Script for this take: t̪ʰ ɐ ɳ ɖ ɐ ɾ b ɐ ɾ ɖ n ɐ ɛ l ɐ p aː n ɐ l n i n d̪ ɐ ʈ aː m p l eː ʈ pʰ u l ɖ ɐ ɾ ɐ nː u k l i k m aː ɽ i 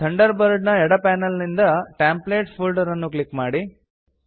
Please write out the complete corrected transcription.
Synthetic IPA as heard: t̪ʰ ɐ ɳ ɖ ɐ ɾ b ɐ ɾ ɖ n ɐ ɛ ɽ ɐ p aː n ɐ l n i n d̪ ɐ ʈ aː m p l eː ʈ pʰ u l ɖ ɐ ɾ ɐ nː u k l i k m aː ɽ i